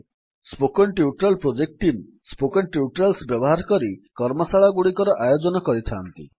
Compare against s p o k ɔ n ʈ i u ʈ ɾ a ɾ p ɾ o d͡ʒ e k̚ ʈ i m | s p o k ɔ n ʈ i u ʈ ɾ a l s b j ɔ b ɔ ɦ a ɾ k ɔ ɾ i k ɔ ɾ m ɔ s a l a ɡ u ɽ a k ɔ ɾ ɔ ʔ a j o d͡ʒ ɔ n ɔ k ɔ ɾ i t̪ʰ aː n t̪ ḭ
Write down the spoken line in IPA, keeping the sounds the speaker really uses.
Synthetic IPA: s p o k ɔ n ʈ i u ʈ ɾ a l p ɾ o d͡ʒ e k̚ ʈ i m | s p o k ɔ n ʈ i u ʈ ɾ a l s b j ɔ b ɔ ɦ a ɾ k ɔ ɾ i k ɔ ɾ m ɔ s a ɭ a ɡ u ɽ i k ɔ ɾ ɔ ʔ a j o d͡ʒ ɔ n ɔ k ɔ ɾ i t̪ʰ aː n t̪ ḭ